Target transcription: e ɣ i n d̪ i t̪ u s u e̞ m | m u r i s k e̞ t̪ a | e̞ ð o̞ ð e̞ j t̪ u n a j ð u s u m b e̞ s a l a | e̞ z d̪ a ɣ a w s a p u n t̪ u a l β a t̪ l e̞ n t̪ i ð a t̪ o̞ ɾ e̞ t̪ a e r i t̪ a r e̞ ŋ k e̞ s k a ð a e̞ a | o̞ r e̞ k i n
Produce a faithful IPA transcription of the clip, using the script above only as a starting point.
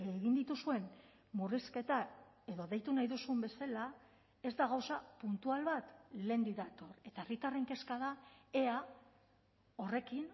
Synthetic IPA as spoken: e ɣ i n d̪ i t̪ u s u e̞ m | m u r i s k e̞ t̪ a | e̞ ð o̞ ð e̞ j t̪ u n a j ð u s u m b e̞ s a l a | e̞ z d̪ a ɣ a w s a p u n t̪ u a l β a t̪ l e̞ n d̪ i ð a t̪ o̞ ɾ e̞ t̪ a e r i t̪ a r e̞ ŋ k e̞ s k a ð a e̞ a | o̞ r e̞ k i n